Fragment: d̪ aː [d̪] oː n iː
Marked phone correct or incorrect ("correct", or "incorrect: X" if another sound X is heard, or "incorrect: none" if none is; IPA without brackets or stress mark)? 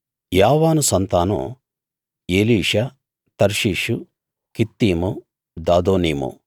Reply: correct